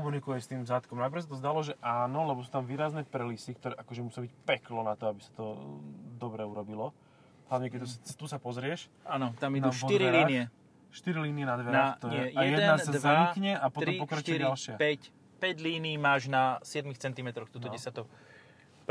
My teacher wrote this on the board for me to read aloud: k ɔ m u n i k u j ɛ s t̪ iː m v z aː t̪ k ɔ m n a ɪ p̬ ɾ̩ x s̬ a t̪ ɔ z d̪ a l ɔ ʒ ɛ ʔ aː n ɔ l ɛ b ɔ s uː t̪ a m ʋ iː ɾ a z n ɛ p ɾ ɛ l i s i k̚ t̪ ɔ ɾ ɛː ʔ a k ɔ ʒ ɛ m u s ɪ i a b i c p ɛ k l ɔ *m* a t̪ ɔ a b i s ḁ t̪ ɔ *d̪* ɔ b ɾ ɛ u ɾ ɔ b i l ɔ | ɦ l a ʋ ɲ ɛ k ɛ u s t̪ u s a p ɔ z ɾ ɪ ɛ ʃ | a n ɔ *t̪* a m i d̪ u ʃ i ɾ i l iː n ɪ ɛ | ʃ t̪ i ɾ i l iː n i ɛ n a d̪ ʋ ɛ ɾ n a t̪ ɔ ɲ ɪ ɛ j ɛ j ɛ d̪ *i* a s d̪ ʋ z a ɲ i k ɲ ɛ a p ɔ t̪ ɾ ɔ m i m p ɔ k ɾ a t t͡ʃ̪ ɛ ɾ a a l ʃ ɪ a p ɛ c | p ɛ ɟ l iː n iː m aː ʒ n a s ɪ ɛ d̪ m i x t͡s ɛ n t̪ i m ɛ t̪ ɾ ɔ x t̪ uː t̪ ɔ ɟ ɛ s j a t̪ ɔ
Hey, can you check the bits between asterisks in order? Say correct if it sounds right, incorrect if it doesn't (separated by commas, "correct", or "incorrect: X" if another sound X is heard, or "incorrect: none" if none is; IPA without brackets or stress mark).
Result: incorrect: n, correct, correct, incorrect: ɛ